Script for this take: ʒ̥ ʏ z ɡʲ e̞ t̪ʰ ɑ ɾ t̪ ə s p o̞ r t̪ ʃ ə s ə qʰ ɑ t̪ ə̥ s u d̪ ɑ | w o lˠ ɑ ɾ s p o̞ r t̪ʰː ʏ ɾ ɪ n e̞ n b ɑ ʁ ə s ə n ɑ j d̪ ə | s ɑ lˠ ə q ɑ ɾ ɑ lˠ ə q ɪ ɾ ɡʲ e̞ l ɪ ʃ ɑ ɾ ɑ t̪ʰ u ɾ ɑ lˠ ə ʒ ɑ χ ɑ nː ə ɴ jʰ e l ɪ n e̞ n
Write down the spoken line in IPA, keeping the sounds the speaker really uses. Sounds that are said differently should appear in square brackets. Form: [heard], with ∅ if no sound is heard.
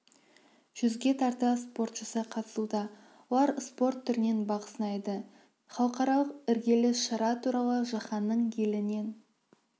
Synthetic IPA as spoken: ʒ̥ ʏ z ɡʲ e̞ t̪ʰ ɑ ɾ t̪ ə s p o̞ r t̪ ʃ ə s ə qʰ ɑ t̪ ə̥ s u d̪ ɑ | w o lˠ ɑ ɾ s p o̞ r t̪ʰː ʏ ɾ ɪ n e̞ n b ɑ ʁ ə s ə n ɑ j d̪ ə | [χ] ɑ lˠ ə q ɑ ɾ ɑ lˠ ə q ɪ ɾ ɡʲ e̞ l ɪ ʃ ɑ ɾ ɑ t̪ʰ u ɾ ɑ lˠ ə ʒ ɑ χ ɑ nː ə ɴ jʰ e l ɪ n e̞ n